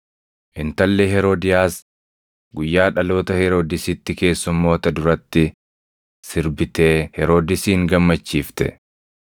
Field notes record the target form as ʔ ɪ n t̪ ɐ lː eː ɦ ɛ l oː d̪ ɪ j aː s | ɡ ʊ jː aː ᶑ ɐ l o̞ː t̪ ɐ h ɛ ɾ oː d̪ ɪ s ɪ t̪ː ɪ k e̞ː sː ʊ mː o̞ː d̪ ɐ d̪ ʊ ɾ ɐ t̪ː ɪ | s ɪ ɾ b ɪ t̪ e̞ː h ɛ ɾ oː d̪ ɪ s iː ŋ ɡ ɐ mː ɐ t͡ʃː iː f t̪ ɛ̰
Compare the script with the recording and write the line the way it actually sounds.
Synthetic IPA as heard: ʔ ɪ n t̪ ɐ lː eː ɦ ɛ ɾ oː d̪ ɪ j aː s | ɡ ʊ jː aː ᶑ ɐ l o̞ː t̪ ɐ h ɛ ɾ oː d̪ ɪ s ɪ t̪ː ɪ k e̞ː sː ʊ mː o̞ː t̪ ɐ d̪ ʊ ɾ ɐ t̪ː ɪ | s ɪ ɾ b ɪ t̪ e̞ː h ɛ ɾ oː d̪ ɪ s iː ŋ ɡ ɐ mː ɐ t͡ʃː iː f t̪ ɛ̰

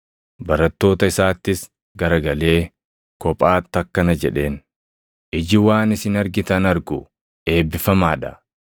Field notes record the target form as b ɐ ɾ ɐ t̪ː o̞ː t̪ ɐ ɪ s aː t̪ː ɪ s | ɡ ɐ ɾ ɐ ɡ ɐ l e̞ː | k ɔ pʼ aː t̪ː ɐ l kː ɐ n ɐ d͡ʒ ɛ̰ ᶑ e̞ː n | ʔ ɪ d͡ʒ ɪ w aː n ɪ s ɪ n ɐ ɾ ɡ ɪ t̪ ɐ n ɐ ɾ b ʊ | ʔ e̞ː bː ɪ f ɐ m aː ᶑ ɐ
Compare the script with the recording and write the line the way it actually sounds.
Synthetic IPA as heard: b ɐ ɾ ɐ t̪ː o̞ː t̪ ɐ ɪ s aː t̪ː ɪ s | ɡ ɐ ɾ ɐ ɡ ɐ l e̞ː | k ɔ pʼ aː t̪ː ɐ kː ɐ n ɐ d͡ʒ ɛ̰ ᶑ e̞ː n | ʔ ɪ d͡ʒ ɪ w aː n ɪ s ɪ n ɐ ɾ ɡ ɪ t̪ ɐ n ɐ ɾ ɡ ʊ | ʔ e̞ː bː ɪ f ɐ m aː ᶑ ɐ

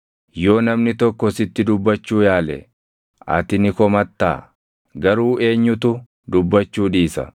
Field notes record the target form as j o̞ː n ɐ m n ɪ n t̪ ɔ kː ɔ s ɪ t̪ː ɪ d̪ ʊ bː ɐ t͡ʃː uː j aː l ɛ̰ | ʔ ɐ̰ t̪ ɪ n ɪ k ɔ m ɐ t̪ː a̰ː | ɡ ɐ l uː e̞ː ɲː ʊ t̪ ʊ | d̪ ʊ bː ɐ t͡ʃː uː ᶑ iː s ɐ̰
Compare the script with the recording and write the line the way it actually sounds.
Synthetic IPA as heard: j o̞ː n ɐ m n ɪ t̪ ɔ kː ɔ s ɪ t̪ː ɪ d̪ ʊ bː ɐ t͡ʃː uː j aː l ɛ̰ | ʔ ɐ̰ t̪ ɪ n ɪ k ɔ m ɐ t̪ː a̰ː | ɡ ɐ ɾ uː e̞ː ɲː ʊ t̪ ʊ | d̪ ʊ bː ɐ t͡ʃː uː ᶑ iː s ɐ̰

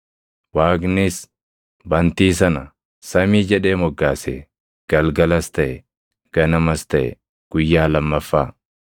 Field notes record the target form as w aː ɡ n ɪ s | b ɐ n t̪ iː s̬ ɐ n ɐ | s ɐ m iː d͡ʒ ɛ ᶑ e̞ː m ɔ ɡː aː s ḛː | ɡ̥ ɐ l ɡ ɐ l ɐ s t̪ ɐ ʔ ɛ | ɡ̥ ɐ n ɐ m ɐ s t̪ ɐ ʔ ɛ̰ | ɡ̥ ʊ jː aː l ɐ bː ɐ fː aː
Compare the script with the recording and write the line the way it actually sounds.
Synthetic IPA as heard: w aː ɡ n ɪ s | b ɐ n t̪ iː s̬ ɐ n ɐ | s ɐ m iː d͡ʒ ɛ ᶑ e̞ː m ɔ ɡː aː s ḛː | ɡ̥ ɐ l ɡ ɐ l ɐ s t̪ ɐ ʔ ɛ | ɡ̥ ɐ n ɐ m ɐ s t̪ ɐ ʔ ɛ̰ | ɡ̥ ʊ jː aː l ɐ mː ɐ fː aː

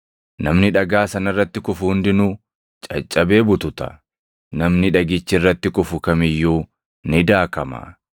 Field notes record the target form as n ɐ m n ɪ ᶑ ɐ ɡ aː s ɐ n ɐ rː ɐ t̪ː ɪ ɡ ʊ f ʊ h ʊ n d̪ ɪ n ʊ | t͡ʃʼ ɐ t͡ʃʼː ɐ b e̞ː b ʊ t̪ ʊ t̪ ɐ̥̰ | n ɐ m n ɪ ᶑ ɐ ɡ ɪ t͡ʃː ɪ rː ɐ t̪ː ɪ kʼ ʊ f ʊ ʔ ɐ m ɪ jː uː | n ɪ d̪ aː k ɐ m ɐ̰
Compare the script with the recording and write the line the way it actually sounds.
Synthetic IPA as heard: n ɐ m n ɪ ᶑ ɐ ɡ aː s ɐ n ɐ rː ɐ t̪ː ɪ k ʊ f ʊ h ʊ n d̪ ɪ n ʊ | t͡ʃʼ ɐ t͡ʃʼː ɐ b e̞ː b ʊ t̪ ʊ t̪ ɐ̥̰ | n ɐ m n ɪ ᶑ ɐ ɡ ɪ t͡ʃː ɪ rː ɐ t̪ː ɪ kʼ ʊ f ʊ k ɐ m ɪ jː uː | n ɪ d̪ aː k ɐ m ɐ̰

